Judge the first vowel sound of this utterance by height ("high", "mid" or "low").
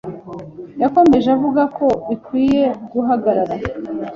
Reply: low